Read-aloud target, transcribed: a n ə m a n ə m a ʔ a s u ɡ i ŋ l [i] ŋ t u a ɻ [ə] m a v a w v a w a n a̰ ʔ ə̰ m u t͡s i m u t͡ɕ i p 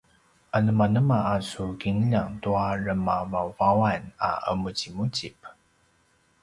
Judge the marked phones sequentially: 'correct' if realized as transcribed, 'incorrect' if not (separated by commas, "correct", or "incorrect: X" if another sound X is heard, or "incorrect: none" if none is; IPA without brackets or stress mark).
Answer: incorrect: a, correct